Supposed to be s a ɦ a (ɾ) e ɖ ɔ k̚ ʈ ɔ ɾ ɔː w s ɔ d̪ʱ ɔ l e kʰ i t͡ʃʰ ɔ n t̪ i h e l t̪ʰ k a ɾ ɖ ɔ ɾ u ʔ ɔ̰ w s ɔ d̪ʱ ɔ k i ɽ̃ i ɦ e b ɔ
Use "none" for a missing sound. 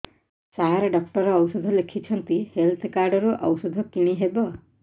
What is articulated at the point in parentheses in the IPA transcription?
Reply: ɾ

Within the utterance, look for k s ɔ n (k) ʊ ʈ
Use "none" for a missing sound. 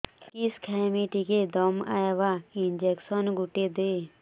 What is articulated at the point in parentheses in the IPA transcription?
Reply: ɡ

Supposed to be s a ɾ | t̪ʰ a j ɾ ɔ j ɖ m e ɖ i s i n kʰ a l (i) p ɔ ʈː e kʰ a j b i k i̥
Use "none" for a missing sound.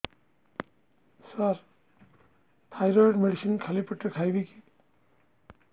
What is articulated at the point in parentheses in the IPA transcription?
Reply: i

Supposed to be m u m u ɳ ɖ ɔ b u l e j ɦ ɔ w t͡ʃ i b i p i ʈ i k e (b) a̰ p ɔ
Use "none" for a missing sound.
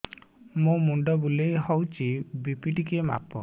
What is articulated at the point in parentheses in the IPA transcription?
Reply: m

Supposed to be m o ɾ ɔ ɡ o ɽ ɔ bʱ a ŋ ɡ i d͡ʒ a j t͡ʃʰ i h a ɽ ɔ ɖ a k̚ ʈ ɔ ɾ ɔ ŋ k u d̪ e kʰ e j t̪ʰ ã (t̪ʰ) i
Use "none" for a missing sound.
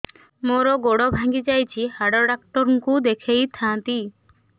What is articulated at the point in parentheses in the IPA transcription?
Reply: t̪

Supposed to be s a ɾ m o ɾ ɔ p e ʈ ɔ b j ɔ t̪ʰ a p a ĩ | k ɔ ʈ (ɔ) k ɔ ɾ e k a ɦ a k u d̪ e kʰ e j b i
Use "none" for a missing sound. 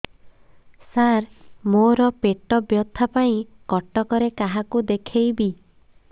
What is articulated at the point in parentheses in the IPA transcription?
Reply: ɔ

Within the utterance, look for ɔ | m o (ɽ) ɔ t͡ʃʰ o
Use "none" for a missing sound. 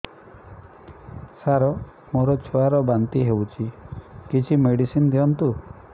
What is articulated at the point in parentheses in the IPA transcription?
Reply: ɾ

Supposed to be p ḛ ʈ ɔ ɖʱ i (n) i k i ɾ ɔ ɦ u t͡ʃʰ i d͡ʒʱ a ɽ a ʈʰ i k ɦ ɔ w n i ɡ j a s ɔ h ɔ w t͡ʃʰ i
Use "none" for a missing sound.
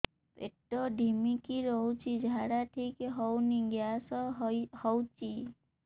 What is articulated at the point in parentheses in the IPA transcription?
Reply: m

